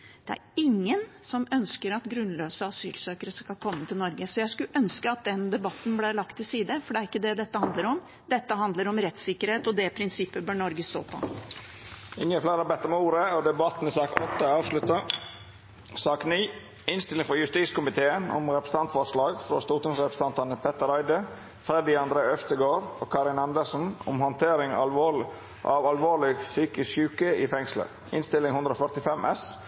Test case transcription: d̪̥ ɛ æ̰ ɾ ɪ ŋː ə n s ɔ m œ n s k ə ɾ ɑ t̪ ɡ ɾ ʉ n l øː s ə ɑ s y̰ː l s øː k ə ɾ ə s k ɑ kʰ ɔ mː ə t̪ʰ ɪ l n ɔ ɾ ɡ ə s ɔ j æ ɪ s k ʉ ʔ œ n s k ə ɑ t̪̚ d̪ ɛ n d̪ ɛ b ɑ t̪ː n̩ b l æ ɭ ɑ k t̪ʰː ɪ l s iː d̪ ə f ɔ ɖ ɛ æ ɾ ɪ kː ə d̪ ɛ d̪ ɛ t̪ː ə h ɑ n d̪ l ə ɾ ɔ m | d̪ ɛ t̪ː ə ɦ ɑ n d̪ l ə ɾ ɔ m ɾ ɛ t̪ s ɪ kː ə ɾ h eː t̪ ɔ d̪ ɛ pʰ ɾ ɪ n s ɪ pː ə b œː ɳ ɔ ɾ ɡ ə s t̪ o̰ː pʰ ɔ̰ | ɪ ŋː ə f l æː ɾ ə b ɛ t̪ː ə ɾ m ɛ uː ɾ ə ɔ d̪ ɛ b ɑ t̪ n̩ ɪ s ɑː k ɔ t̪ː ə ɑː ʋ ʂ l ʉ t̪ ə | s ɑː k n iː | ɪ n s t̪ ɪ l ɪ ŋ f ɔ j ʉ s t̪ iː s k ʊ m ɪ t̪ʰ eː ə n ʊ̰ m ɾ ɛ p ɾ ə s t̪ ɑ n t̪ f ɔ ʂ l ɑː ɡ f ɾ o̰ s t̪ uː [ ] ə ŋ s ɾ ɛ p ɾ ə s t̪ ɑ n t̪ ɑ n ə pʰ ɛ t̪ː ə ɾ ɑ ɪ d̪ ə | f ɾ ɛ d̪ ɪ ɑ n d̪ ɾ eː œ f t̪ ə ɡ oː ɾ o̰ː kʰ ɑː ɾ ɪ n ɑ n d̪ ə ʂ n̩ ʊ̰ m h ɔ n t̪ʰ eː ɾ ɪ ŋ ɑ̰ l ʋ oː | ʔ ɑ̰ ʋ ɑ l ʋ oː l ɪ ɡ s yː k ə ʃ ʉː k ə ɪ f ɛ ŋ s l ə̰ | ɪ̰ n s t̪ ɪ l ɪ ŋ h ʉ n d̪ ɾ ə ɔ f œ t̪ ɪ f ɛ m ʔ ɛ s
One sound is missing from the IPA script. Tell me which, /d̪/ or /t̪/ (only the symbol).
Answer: t̪